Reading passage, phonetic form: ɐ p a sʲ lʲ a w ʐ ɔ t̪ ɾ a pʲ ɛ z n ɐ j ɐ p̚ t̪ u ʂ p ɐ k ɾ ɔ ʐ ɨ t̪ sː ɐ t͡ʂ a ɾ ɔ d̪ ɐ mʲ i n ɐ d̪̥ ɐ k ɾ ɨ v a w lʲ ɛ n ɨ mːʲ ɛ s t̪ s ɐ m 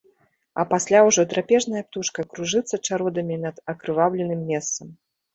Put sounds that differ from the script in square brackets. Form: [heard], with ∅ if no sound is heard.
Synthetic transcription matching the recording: ɐ p a sʲ lʲ a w ʐ ɔ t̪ ɾ a pʲ ɛ [ʐ] n ɐ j ɐ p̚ t̪ u ʂ [k] ɐ k ɾ [u] ʐ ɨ t̪ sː ɐ t͡ʂ a ɾ ɔ d̪ ɐ mʲ i n ɐ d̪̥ ɐ k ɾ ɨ v a w lʲ ɛ n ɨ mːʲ ɛ s t̪ s ɐ m